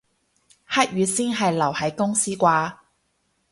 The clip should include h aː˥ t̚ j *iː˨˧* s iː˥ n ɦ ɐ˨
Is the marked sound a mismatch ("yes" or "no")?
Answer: yes